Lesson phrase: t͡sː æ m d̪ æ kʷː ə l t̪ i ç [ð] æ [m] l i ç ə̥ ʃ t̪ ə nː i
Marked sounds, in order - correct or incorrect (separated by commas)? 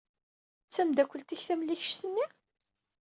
incorrect, correct